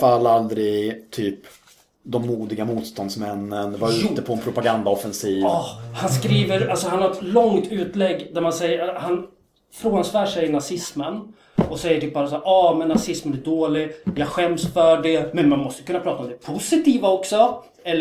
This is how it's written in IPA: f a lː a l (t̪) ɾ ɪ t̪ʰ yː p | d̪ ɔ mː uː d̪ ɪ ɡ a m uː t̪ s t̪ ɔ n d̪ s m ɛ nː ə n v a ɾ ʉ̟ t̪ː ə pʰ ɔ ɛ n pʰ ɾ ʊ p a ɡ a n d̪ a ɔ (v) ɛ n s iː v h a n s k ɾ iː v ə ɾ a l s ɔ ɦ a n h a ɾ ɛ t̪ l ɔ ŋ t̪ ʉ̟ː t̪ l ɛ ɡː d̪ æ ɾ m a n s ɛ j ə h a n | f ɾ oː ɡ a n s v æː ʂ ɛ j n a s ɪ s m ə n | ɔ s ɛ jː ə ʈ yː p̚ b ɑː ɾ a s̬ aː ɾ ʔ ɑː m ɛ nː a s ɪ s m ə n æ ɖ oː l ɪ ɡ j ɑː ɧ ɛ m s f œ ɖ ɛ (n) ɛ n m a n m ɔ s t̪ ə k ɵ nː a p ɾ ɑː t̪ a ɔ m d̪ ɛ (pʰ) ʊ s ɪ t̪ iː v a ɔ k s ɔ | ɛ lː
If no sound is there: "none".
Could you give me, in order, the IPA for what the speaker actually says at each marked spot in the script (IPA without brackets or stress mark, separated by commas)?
d̪, f, m, pʰ